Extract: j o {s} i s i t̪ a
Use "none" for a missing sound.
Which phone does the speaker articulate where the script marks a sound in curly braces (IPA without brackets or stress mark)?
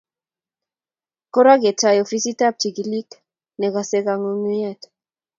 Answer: f